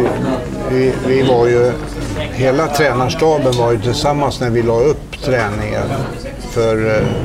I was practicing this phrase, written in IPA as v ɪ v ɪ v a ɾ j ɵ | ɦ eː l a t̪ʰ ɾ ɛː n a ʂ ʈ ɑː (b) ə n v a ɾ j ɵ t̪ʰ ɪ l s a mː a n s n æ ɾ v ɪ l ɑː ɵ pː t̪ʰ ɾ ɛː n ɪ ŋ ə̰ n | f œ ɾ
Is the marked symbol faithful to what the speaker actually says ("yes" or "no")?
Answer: yes